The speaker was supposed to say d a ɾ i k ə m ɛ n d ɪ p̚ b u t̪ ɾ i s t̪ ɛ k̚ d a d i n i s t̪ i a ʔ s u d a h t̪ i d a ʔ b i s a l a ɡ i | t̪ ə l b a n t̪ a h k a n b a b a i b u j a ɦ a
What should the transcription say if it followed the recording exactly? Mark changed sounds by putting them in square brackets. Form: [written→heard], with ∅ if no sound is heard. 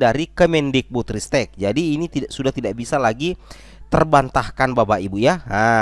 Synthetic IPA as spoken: d a ɾ i k ə m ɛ n d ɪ [p̚→k̚] b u t̪ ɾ i s t̪ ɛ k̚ [d→d͡ʒ] a d [i→iː] n i [s→∅] t̪ i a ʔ s u d a h t̪ i d a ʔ b i s a l a ɡ i | t̪ ə [l→r] b a n t̪ a h k a n b a b a i b u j a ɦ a